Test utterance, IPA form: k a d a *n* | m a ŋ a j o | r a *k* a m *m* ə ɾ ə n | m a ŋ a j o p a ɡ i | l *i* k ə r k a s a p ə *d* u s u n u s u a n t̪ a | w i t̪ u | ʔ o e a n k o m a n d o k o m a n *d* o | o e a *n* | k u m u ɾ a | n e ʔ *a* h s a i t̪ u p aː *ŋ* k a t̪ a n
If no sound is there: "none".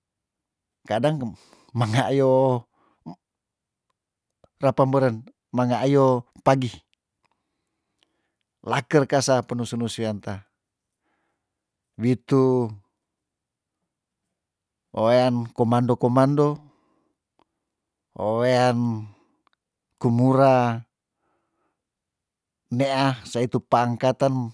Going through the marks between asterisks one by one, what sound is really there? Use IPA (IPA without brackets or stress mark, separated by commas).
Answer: ŋ, p, b, a, n, d, n, a, ŋ